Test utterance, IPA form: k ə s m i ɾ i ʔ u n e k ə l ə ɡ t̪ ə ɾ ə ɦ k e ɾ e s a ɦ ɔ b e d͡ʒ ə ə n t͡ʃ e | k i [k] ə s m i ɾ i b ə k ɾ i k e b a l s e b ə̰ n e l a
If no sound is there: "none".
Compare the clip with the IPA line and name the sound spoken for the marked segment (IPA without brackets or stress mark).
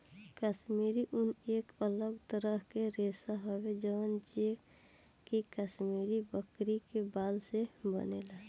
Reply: k